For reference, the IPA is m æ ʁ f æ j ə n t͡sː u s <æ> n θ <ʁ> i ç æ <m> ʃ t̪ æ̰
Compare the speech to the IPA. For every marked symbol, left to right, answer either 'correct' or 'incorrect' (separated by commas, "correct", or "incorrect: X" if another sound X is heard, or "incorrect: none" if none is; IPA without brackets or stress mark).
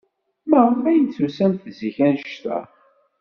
correct, incorrect: z, incorrect: n